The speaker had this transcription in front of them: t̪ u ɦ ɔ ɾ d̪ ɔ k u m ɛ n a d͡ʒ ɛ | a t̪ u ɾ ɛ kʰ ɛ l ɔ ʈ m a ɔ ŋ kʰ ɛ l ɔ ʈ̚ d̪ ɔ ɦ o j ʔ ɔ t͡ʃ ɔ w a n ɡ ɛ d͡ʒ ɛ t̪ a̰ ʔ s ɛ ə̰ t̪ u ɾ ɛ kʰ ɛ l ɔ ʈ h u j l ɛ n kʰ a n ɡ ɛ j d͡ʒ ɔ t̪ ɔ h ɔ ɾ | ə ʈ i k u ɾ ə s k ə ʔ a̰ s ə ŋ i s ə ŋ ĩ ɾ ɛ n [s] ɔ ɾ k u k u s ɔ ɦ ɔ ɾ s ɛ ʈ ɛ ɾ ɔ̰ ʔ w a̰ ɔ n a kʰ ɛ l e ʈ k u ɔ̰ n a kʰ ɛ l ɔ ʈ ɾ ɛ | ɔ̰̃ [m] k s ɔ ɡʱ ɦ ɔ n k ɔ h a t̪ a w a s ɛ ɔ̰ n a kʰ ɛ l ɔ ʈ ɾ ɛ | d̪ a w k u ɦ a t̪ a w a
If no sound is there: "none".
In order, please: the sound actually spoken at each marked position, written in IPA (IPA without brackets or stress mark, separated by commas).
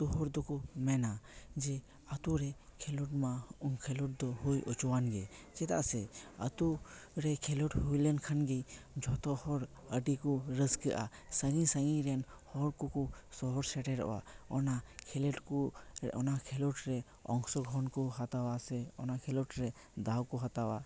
h, ŋ